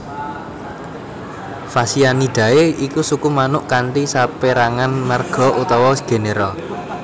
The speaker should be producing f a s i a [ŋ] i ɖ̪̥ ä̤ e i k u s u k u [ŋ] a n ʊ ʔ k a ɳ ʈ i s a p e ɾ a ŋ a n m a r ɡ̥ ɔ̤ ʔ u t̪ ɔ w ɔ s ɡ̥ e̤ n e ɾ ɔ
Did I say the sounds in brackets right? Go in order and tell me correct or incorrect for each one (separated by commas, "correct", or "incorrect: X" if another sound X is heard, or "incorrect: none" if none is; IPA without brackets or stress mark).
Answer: incorrect: n, incorrect: m